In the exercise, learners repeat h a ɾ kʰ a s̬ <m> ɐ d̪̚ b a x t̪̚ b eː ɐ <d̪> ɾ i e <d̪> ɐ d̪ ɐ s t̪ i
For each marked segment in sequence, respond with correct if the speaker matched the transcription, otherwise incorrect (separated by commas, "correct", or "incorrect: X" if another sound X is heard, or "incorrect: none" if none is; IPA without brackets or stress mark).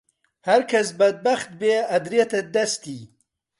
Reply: incorrect: b, correct, incorrect: t̪